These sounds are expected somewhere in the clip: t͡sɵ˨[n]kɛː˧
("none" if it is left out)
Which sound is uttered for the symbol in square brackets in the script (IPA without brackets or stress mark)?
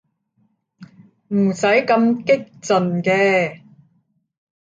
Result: n